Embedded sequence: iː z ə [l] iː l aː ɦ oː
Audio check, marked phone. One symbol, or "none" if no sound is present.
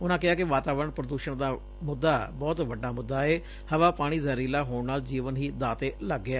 ɾ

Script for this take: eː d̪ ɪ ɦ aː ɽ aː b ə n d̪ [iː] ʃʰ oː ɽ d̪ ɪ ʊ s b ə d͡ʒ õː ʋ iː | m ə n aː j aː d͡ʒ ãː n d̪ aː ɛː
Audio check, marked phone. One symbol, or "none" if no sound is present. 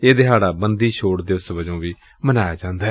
iː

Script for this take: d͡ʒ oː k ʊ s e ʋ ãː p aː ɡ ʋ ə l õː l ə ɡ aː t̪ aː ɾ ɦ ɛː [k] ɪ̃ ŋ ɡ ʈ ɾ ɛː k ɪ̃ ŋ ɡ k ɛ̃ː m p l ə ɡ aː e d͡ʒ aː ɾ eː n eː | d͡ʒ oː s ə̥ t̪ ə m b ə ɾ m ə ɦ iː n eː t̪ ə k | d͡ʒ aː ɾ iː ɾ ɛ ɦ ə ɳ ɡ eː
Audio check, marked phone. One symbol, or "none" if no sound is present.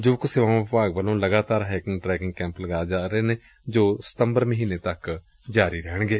k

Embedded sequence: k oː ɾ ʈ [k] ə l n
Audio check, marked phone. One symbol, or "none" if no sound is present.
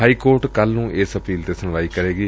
k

